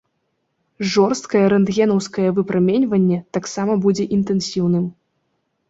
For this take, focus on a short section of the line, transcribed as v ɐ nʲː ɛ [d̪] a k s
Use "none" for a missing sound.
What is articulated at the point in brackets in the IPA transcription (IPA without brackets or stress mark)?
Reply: t̪